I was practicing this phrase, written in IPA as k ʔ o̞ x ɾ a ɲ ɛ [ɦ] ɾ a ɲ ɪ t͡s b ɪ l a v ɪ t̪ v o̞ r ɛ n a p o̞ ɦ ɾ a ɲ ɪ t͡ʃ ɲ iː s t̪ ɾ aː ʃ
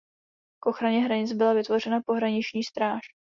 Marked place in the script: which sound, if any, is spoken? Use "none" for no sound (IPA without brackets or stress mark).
ɦ